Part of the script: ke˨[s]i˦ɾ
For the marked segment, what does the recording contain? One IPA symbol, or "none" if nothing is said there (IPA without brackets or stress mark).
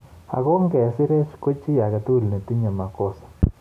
s